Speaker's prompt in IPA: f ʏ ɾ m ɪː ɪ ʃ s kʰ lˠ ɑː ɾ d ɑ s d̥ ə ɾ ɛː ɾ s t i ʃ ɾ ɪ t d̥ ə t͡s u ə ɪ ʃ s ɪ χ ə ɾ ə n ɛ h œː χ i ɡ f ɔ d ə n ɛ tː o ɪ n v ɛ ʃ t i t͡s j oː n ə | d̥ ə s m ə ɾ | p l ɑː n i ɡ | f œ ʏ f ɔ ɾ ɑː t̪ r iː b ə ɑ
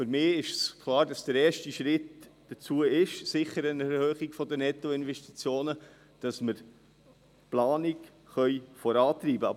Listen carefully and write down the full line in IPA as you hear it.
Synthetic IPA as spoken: f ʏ ɾ m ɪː ɪ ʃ s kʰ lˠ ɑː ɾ d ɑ s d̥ ə ɾ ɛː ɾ ʃ t i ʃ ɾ ɪ t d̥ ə t͡s u ə ɪ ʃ s ɪ χ ə ɾ ə n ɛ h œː χ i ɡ f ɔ d ə n ɛ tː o ɪ n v ɛ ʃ t i t͡s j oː n ə | d̥ ɑ s m ə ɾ | p l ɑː n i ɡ | χ œ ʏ f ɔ ɾ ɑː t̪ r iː b ə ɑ